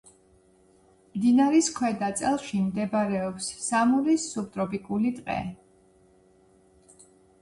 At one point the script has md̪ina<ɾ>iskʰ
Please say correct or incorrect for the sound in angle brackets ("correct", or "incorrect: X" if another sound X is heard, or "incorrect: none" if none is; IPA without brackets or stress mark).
correct